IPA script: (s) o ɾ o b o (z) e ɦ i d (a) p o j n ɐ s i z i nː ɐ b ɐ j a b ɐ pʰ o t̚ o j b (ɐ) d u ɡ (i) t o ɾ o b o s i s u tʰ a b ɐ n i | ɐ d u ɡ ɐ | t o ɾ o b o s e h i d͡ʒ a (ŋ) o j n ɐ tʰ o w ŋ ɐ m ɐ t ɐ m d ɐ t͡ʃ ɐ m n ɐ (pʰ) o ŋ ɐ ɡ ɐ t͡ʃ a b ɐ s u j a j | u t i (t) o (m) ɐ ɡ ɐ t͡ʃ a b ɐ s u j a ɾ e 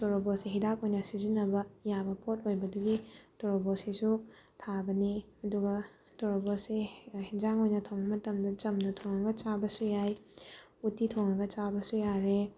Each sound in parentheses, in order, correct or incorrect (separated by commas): incorrect, incorrect, correct, correct, correct, correct, incorrect, incorrect, incorrect